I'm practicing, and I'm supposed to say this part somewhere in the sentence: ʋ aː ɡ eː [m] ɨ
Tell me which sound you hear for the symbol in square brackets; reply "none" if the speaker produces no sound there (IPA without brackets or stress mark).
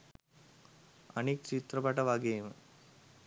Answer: m